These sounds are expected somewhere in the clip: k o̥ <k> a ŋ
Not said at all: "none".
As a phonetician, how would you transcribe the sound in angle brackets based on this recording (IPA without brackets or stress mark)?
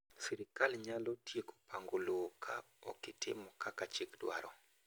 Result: p